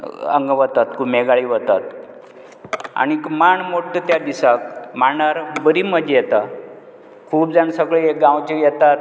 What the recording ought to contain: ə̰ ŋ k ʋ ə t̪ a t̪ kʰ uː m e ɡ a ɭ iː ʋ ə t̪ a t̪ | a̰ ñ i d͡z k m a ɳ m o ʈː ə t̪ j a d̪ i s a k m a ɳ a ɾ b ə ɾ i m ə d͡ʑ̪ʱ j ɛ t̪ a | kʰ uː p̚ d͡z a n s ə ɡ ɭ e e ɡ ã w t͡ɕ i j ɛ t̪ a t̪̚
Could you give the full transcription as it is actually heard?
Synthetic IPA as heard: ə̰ ŋ ɡ ʋ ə t̪ a t̪ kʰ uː m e ɡ a ɭ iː ʋ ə t̪ a t̪ | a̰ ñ i k m a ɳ m o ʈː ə t̪ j a d̪ i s a k m a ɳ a ɾ b ə ɾ i m ə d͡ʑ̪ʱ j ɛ t̪ a | kʰ uː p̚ d͡z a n s ə ɡ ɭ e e ɡ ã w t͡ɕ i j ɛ t̪ a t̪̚